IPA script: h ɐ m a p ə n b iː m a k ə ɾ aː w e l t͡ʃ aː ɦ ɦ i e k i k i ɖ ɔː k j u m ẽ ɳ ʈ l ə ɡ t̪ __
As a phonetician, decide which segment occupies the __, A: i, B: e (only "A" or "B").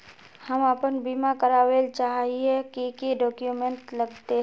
B